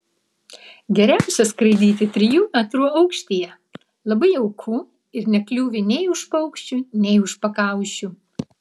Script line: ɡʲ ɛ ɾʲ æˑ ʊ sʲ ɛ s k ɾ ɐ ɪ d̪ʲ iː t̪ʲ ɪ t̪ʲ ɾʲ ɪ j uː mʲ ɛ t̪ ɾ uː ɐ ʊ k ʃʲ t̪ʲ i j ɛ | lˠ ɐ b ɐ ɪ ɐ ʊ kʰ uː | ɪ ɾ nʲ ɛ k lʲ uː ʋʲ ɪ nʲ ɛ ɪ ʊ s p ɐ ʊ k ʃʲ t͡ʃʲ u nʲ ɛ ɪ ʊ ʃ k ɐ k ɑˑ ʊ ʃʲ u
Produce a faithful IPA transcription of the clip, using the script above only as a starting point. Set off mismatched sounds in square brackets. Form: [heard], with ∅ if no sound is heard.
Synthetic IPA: ɡʲ ɛ ɾʲ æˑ ʊ sʲ ɛ s k ɾ ɐ ɪ d̪ʲ iː t̪ʲ ɪ t̪ʲ ɾʲ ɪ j uː mʲ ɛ t̪ ɾ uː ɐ ʊ k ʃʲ t̪ʲ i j ɛ | lˠ ɐ b ɐ ɪ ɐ ʊ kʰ uː | ɪ ɾ nʲ ɛ k lʲ uː ʋʲ ɪ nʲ ɛ ɪ ʊ [ʃ] p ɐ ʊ k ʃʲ t͡ʃʲ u nʲ ɛ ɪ ʊ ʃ [p] ɐ k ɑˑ ʊ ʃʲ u

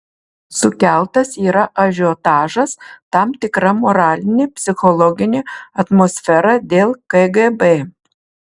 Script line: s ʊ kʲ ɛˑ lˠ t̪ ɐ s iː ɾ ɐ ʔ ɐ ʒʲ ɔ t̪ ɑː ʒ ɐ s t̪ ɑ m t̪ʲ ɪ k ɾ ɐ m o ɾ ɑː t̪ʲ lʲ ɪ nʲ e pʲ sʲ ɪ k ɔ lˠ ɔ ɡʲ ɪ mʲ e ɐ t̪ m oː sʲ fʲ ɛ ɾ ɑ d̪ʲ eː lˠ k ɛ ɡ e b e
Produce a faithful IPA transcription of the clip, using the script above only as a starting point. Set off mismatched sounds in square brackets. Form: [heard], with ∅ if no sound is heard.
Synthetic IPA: s ʊ kʲ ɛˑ lˠ t̪ ɐ s iː ɾ ɐ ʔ ɐ ʒʲ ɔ t̪ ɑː ʒ ɐ s t̪ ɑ m t̪ʲ ɪ k ɾ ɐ m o ɾ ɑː [∅] lʲ ɪ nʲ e pʲ sʲ ɪ [x] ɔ lˠ ɔ ɡʲ ɪ [nʲ] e ɐ t̪ m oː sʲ fʲ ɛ ɾ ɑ d̪ʲ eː lˠ k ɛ ɡ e b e

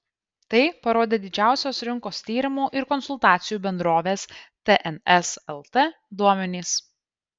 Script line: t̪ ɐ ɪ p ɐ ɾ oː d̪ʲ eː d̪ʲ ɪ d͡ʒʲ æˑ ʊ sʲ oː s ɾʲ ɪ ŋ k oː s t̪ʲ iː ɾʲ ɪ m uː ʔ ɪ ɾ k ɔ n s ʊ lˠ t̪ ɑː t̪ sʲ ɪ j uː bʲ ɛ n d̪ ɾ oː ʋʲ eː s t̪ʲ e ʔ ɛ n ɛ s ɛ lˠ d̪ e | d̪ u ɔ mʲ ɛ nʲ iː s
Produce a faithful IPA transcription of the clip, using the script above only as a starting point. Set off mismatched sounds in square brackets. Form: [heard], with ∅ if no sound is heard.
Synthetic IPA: t̪ ɐ ɪ p ɐ ɾ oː d̪ʲ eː d̪ʲ ɪ d͡ʒʲ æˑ ʊ sʲ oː s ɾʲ ɪ ŋ k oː s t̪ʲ iː ɾʲ ɪ m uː ʔ ɪ ɾ k ɔ n s ʊ lˠ t̪ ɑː t̪ sʲ ɪ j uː bʲ ɛ n d̪ ɾ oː ʋʲ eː s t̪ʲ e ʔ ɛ n ɛ s ɛ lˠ [t̪] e | d̪ u ɔ mʲ ɛ nʲ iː s

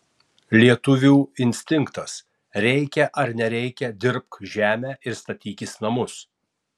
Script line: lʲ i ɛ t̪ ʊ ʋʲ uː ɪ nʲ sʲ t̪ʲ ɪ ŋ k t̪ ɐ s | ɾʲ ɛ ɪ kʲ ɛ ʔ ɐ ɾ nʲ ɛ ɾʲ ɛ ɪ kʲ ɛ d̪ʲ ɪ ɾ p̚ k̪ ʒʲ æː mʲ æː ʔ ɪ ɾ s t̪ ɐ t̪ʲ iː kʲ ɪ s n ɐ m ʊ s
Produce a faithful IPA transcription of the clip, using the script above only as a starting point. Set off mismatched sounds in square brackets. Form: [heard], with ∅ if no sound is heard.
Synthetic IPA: lʲ i ɛ t̪ ʊ ʋʲ uː ɪ nʲ sʲ t̪ʲ ɪ ŋ k t̪ ɐ s | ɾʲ ɛ ɪ kʲ ɛ ʔ ɐ ɾ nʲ ɛ ɾʲ ɛ ɪ kʲ ɛ d̪ʲ ɪ ɾ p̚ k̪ ʒʲ æː mʲ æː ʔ ɪ ɾ s t̪ ɐ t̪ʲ iː kʲ ɪ s n ɐ m ʊ s

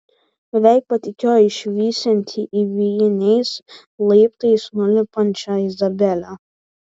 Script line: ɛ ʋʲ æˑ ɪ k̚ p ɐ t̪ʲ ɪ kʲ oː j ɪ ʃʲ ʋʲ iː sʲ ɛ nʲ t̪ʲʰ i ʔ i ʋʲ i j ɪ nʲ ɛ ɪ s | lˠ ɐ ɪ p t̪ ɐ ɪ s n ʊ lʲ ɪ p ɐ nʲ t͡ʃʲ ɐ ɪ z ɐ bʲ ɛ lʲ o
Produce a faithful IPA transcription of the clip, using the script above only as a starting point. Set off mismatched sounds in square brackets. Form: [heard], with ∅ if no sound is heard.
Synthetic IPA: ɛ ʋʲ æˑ ɪ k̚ p ɐ t̪ʲ ɪ kʲ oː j ɪ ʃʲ ʋʲ iː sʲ ɛ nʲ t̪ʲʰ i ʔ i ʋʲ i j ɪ nʲ ɛ ɪ s | lˠ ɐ ɪ p t̪ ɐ ɪ s n ʊ lʲ ɪ p ɐ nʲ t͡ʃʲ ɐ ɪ z ɐ bʲ ɛ lʲ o

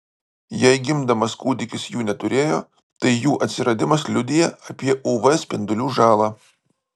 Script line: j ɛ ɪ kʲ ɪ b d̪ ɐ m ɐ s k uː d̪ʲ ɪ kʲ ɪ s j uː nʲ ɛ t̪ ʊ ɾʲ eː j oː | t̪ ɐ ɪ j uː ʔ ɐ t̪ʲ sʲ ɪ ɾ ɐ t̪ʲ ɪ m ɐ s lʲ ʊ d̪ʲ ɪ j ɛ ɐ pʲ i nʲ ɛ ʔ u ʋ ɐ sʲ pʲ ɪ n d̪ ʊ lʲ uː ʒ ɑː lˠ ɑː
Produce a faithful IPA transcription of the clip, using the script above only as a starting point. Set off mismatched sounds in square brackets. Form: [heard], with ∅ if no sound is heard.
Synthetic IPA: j ɛ ɪ [ɡʲ] ɪ [m] d̪ ɐ m ɐ s k uː d̪ʲ ɪ kʲ ɪ s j uː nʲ ɛ t̪ ʊ ɾʲ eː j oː | t̪ ɐ ɪ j uː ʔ ɐ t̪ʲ sʲ ɪ ɾ ɐ [d̪ʲ] ɪ m ɐ s lʲ ʊ d̪ʲ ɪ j ɛ ɐ pʲ i [∅] ɛ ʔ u ʋ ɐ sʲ pʲ ɪ n d̪ ʊ lʲ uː ʒ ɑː lˠ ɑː

